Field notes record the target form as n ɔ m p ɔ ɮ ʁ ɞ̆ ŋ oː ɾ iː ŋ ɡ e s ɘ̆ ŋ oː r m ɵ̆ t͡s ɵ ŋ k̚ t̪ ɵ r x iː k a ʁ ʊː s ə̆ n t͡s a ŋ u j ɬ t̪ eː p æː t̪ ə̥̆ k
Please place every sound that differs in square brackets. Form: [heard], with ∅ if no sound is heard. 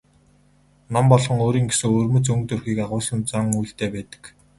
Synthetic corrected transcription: n ɔ m p ɔ ɮ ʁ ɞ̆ ŋ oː ɾ iː ŋ ɡ e s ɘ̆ ŋ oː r m ɵ̆ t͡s ɵ ŋ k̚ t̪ ɵ r x iː k a ʁ ʊː s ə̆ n t͡s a ŋ u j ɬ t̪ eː p æː t̪ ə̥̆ k